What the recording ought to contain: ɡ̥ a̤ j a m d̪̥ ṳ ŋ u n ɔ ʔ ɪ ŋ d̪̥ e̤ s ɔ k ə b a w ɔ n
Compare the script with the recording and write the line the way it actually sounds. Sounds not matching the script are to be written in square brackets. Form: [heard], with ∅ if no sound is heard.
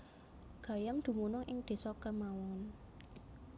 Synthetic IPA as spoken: ɡ̥ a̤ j a m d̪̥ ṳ [m] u n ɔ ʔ ɪ ŋ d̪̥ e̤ s ɔ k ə [m] a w ɔ n